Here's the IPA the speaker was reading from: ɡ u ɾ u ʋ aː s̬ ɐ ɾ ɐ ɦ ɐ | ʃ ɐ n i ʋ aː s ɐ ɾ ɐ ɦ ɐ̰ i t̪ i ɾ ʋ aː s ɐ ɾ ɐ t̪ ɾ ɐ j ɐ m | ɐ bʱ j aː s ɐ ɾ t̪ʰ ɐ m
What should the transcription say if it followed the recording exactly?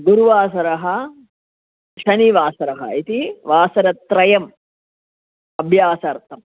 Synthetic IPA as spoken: ɡ u ɾ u ʋ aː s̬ ɐ ɾ ɐ ɦ ɐ | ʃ ɐ n i ʋ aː s ɐ ɾ ɐ ɦ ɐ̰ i t̪ i ʋ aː s ɐ ɾ ɐ t̪ ɾ ɐ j ɐ m | ɐ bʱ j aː s ɐ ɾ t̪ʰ ɐ m

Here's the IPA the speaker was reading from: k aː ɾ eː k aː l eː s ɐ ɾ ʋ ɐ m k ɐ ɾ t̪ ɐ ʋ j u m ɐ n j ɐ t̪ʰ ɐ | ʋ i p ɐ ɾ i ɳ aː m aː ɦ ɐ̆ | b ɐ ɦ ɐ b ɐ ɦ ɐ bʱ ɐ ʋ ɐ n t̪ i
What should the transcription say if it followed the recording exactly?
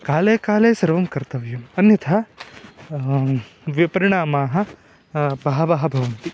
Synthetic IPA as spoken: k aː l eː k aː l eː s ɐ ɾ ʋ ɐ m k ɐ ɾ t̪ ɐ ʋ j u m ɐ n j ɐ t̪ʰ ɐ | ʋ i p ɐ ɾ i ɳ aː m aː ɦ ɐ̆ | b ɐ ɦ ɐ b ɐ ɦ ɐ bʱ ɐ ʋ ɐ n t̪ i

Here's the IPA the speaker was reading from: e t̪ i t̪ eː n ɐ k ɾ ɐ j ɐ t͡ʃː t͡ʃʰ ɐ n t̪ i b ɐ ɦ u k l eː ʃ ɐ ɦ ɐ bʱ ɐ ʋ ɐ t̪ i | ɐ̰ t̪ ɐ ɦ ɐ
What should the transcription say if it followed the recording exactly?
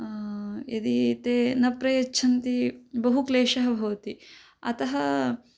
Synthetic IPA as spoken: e d̪ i t̪ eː n ɐ p ɾ ɐ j ɐ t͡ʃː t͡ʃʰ ɐ n t̪ i b ɐ ɦ u k l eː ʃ ɐ ɦ ɐ bʱ ɐ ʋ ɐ t̪ i | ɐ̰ t̪ ɐ ɦ ɐ

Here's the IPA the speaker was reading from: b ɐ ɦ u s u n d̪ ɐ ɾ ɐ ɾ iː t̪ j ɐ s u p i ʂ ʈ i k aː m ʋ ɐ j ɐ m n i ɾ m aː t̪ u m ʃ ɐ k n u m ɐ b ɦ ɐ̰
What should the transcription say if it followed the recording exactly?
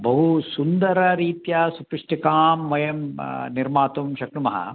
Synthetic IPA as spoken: b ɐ ɦ u s u n d̪ ɐ ɾ ɐ ɾ iː t̪ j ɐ s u p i ʂ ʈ i k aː m ʋ ɐ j ɐ m n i ɾ m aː t̪ u m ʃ ɐ k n u m ɐ ɦ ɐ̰

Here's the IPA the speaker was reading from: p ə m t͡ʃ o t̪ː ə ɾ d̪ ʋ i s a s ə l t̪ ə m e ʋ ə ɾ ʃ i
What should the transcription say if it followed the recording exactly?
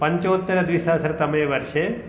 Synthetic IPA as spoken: p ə ɲ t͡ʃ o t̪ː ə ɾ d̪ ʋ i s a s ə ɾ t̪ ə m e ʋ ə ɾ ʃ e

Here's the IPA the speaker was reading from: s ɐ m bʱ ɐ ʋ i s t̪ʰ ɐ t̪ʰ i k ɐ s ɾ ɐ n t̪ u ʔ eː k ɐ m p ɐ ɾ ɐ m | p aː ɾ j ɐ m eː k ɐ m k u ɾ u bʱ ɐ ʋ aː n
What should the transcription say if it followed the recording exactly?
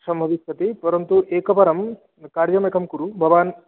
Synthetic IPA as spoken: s ɐ m bʱ ɐ ʋ i s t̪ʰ ɐ t̪ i p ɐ ɾ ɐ n t̪ u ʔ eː k ɐ p ɐ ɾ ɐ m | k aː ɾ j ɐ m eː k ɐ m k u ɾ u bʱ ɐ ʋ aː n

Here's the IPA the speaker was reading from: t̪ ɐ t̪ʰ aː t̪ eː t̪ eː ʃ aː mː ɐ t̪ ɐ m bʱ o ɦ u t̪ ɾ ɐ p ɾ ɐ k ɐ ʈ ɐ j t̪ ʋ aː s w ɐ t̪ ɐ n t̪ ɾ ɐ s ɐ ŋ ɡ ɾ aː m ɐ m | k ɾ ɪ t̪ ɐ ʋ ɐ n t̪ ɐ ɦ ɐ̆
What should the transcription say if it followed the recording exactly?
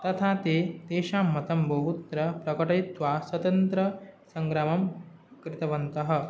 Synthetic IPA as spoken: t̪ ɐ t̪ʰ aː t̪ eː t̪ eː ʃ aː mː ɐ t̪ ɐ m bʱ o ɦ u t̪ ɾ ɐ p ɾ ɐ k ɐ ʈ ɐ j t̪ ʋ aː s w ɐ t̪ ɐ n t̪ ɾ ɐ s ɐ ŋ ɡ ɾ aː m ɐ m | k ɾ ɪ t̪ ɐ ʋ ɐ n t̪ ɐ ɦ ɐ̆

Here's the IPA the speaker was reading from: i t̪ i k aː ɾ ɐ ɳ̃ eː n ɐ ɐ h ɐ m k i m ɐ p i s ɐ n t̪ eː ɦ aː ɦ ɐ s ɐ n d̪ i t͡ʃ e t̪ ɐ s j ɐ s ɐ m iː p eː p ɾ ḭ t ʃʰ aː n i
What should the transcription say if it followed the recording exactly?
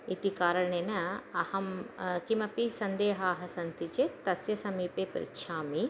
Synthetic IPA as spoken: i t̪ i k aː ɾ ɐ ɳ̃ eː n ɐ ɐ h ɐ m k i m ɐ p i s ɐ n d̪ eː ɦ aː ɦ ɐ s ɐ n t̪ i t͡ʃ e t̪ ɐ s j ɐ s ɐ m iː p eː p ɾ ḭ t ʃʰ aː m i

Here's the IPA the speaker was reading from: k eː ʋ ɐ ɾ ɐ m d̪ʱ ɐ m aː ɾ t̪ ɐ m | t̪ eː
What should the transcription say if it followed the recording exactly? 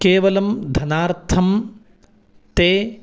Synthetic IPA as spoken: k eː ʋ ɐ l ɐ m d̪ʱ ɐ n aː ɾ t̪ʰ ɐ m | t̪ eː

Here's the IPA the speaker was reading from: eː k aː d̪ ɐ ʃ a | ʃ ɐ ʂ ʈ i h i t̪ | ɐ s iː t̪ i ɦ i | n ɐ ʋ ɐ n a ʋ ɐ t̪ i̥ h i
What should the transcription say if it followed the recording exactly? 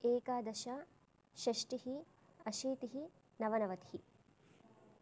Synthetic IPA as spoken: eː k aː d̪ ɐ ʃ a | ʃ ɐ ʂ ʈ i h i | ɐ ʃ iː t̪ i ɦ i | n ɐ ʋ ɐ n ɐ ʋ ɐ t̪ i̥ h i

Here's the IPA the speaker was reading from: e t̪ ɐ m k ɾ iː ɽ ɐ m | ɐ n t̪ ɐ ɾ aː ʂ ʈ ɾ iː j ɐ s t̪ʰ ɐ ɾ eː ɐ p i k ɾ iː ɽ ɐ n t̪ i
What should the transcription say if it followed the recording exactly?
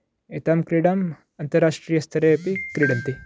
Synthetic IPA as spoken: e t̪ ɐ m k ɾ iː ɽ ɐ m | ɐ n t̪ ɐ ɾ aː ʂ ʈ ɾ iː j ɐ s t̪ʰ ɐ ɾ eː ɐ p i k ɾ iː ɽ ɐ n t̪ i

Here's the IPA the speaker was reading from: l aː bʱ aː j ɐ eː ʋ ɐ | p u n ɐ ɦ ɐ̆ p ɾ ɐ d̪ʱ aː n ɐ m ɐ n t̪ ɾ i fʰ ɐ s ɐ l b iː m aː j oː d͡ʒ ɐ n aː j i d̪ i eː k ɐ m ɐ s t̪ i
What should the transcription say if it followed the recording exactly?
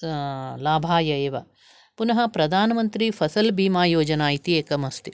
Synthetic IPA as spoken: l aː bʱ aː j ɐ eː ʋ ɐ | p u n ɐ ɦ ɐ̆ p ɾ ɐ d̪ʱ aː n ɐ m ɐ n t̪ ɾ i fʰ ɐ s ɐ l b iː m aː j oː d͡ʒ ɐ n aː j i t̪ i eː k ɐ m ɐ s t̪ i

